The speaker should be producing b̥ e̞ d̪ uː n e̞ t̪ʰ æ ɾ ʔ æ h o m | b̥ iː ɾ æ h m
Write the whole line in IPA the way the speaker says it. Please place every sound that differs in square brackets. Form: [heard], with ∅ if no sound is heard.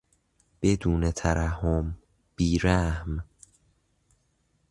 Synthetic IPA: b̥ e̞ d̪ uː n e̞ t̪ʰ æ ɾ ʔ æ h o m | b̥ iː ɾ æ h m

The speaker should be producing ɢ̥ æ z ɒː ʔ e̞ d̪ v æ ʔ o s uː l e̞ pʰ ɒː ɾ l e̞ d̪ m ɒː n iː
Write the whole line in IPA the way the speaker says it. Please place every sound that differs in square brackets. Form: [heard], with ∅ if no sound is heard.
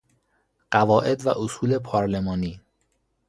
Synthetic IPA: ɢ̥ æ [v] ɒː ʔ e̞ d̪ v æ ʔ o s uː l e̞ pʰ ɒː ɾ l e̞ [∅] m ɒː n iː

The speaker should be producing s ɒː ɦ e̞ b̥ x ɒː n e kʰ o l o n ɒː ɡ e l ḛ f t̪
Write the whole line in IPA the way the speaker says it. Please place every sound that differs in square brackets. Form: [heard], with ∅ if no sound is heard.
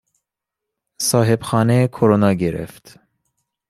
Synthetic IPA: s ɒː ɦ e̞ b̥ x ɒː n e kʰ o [ɾ] o n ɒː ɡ e [ɾ] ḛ f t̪

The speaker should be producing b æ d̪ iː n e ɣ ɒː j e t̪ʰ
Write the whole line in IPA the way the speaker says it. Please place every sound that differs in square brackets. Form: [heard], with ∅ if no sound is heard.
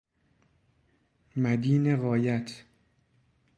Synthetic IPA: [m] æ d̪ iː n e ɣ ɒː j [æ] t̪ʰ

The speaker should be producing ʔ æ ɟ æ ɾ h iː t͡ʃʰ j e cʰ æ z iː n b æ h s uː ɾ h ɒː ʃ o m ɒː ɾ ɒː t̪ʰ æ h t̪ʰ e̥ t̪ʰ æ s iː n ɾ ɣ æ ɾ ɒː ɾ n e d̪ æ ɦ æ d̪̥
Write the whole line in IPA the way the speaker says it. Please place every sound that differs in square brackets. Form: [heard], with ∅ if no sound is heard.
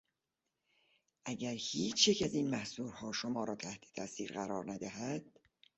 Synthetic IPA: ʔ æ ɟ æ ɾ h iː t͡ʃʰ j e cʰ æ z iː n [m] æ h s uː ɾ h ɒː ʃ o m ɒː ɾ ɒː t̪ʰ æ h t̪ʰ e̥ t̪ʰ æ s iː [∅] ɾ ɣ æ ɾ ɒː ɾ n [æ] d̪ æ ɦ æ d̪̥

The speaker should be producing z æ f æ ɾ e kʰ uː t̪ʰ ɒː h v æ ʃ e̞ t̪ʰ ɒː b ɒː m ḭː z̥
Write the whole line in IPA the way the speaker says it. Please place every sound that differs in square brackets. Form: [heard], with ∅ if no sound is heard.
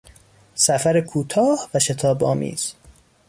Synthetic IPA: [s] æ f æ ɾ e kʰ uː t̪ʰ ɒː h v æ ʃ e̞ t̪ʰ ɒː b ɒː m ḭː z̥

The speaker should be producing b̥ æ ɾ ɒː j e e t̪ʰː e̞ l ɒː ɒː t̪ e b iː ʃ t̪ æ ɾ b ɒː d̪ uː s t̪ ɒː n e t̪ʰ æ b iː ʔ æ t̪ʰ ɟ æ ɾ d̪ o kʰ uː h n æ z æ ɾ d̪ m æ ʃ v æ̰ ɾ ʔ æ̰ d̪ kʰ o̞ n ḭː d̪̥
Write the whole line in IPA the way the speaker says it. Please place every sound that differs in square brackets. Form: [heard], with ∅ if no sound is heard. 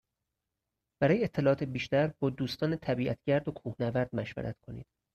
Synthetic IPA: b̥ æ ɾ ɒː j e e t̪ʰː e̞ l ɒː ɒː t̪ e b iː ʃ t̪ æ ɾ b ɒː d̪ uː s t̪ ɒː n e t̪ʰ æ b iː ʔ æ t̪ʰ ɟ æ ɾ d̪ o kʰ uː h n æ [v] æ ɾ d̪ m æ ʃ v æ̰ ɾ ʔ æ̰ [t̪] kʰ o̞ n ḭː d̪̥

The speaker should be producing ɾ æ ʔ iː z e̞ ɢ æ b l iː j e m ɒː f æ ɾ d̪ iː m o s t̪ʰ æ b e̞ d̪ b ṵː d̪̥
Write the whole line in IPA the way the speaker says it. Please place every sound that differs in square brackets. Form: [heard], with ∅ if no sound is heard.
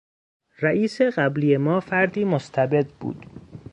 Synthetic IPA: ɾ æ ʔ iː [s] e̞ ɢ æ b l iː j e m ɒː f æ ɾ d̪ iː m o s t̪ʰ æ b e̞ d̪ b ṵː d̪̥

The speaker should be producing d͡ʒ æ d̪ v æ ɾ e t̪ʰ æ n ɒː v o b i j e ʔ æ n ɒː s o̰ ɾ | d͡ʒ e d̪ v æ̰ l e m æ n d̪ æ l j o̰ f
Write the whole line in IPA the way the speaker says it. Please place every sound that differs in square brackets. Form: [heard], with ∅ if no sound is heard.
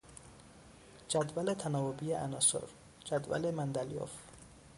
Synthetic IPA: d͡ʒ æ d̪ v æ [l] e t̪ʰ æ n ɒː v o b i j e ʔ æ n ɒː s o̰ ɾ | d͡ʒ [æ] d̪ v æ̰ l e m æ n d̪ æ l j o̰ f

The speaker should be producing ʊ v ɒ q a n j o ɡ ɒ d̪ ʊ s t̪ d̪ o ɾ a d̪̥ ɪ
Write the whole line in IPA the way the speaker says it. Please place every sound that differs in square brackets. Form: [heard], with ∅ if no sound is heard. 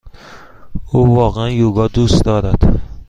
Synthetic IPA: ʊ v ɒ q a n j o ɡ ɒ d̪ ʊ s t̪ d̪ [ɒ] ɾ a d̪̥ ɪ

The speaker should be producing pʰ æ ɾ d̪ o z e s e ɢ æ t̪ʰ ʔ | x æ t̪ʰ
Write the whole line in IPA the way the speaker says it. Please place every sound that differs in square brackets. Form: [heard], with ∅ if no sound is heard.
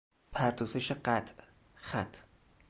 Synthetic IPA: pʰ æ ɾ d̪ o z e [ʃ] e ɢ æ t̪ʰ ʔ | x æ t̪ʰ

